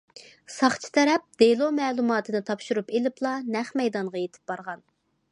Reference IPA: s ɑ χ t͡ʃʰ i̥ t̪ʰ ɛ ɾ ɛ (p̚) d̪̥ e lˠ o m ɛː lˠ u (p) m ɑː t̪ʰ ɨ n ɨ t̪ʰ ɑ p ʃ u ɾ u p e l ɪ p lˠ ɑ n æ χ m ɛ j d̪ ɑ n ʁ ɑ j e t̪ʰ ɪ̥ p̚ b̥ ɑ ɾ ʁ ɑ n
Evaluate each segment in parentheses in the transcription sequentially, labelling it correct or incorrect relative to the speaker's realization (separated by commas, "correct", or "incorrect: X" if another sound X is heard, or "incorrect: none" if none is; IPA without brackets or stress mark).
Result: correct, incorrect: none